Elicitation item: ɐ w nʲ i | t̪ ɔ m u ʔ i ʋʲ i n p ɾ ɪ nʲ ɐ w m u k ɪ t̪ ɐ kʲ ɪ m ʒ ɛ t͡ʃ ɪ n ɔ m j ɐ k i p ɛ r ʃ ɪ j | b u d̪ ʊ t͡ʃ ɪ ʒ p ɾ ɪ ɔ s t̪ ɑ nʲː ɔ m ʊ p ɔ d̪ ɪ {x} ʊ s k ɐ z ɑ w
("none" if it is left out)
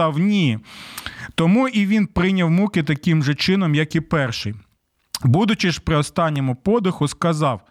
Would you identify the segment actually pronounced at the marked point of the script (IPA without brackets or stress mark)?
x